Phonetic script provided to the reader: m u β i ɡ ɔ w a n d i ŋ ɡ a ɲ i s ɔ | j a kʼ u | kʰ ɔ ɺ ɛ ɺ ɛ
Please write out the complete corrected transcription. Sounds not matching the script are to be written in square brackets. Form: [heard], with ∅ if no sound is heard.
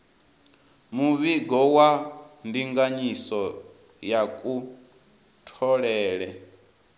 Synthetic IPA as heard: m u β i ɡ ɔ w a n d i ŋ ɡ a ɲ i s ɔ | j a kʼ u | [tʰ] ɔ ɺ [ɛː] ɺ ɛ

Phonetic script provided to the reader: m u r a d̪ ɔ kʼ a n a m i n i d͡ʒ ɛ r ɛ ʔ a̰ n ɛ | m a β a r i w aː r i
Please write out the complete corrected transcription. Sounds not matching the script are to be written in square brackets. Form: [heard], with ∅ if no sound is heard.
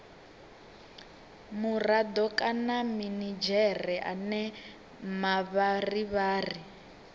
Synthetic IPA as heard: m u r a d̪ ɔ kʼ a n a m i n i d͡ʒ ɛ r ɛ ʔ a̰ n ɛ | m a β a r i [β] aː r i

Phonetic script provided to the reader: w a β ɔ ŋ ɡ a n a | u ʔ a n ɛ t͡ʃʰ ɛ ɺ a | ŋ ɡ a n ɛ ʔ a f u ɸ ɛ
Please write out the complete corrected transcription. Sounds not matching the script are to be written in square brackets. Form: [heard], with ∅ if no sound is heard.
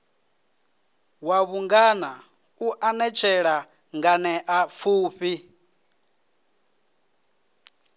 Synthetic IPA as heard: w a β [u] ŋ ɡ a n a | u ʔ a n ɛ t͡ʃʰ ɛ ɺ a | ŋ ɡ a n ɛ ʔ a f [uː] ɸ [i]

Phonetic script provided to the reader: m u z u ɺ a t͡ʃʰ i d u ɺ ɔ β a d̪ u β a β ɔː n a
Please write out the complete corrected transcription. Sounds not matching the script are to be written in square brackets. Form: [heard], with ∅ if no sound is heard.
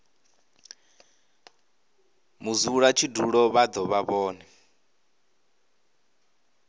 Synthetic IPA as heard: m u z u ɺ a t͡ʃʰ i d u ɺ ɔ β a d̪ [ɔ] β a β ɔː n [ɛ]

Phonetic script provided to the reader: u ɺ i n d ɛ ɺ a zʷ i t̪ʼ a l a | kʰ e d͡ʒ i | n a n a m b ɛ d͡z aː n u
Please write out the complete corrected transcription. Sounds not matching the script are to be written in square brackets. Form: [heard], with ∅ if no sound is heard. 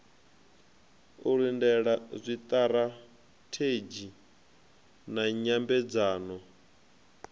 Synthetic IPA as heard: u ɺ i n d ɛ ɺ a zʷ i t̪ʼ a [ɾ] a | [tʰ] e d͡ʒ i | n a [ɲ] a m b ɛ d͡z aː n [ɔ]

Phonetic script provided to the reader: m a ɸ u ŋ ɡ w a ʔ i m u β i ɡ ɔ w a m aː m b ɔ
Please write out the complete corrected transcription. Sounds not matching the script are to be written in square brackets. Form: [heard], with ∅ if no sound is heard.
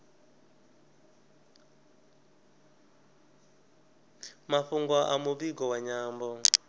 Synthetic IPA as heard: m a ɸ u ŋ ɡ w a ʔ [a] m u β i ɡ ɔ w a [ɲ] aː m b ɔ

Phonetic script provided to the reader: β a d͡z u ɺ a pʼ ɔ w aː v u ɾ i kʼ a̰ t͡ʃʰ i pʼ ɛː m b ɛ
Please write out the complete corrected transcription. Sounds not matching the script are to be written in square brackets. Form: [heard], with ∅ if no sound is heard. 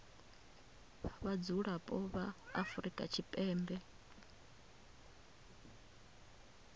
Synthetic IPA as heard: β a d͡z u ɺ a pʼ ɔ [β] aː [f] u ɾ i kʼ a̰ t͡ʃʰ i pʼ ɛː m b ɛ

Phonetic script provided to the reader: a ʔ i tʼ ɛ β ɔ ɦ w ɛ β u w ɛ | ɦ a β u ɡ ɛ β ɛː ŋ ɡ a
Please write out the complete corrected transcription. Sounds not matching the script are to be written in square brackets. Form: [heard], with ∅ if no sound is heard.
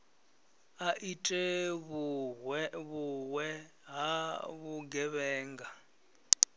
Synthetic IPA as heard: a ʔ i tʼ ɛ β [u] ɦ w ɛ β u w ɛ | ɦ a β u ɡ ɛ β ɛː ŋ ɡ a

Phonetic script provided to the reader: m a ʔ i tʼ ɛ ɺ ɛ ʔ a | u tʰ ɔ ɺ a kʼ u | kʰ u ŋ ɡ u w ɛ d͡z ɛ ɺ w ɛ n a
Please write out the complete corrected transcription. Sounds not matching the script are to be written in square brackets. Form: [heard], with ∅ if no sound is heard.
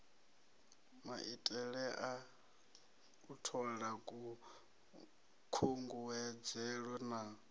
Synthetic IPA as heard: m a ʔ i tʼ ɛ ɺ ɛ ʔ a | u tʰ ɔ ɺ a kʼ u | kʰ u ŋ ɡ u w ɛ d͡z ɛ ɺ w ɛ n a

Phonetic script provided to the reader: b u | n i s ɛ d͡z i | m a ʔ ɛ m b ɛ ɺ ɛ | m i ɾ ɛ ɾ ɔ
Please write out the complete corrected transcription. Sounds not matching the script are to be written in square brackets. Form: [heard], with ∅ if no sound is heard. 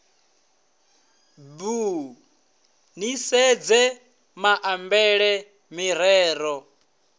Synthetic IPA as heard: b u | n i s ɛ d͡z [ɛ] | m a ʔ [a] m b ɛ ɺ ɛ | m i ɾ [ɛː] ɾ ɔ

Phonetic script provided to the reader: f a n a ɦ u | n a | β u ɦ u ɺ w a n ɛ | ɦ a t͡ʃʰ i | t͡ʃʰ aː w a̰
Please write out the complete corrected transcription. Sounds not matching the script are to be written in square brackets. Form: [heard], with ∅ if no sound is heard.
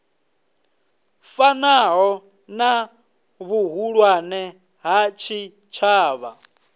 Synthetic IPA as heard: f a n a ɦ [ɔ] | n a | β u ɦ u ɺ w a n ɛ | ɦ a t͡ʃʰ i | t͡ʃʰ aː [β] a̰

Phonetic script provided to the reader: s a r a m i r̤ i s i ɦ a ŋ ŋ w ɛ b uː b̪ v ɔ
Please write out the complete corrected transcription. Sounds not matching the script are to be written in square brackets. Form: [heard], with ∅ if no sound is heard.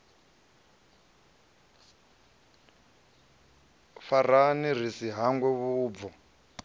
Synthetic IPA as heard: [f] a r a [n] i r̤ i s i ɦ a ŋ [ɡ] w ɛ [β] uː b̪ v ɔ

